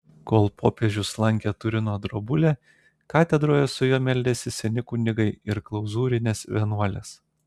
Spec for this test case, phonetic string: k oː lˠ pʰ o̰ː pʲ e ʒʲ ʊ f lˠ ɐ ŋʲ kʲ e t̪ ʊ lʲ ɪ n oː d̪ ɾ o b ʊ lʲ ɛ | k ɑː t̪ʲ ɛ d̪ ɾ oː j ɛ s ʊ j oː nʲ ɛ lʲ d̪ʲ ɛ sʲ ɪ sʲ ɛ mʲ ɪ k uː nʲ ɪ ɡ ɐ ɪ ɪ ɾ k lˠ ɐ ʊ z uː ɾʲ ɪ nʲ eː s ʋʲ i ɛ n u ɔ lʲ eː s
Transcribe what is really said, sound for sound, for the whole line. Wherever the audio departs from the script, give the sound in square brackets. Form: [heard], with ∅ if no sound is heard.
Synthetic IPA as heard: k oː lˠ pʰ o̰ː pʲ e ʒʲ ʊ [s] lˠ ɐ ŋʲ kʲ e t̪ ʊ [ɾʲ] ɪ n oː d̪ ɾ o b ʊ lʲ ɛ | k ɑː t̪ʲ ɛ d̪ ɾ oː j ɛ s ʊ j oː [mʲ] ɛ lʲ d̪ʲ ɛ sʲ ɪ sʲ ɛ [nʲ] ɪ k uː nʲ ɪ ɡ ɐ ɪ ɪ ɾ k lˠ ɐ ʊ z uː ɾʲ ɪ nʲ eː s ʋʲ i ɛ n u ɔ lʲ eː s